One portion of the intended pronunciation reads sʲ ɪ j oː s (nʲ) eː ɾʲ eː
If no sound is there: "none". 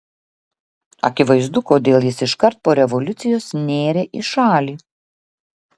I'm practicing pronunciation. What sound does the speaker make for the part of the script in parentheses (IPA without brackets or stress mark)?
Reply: nʲ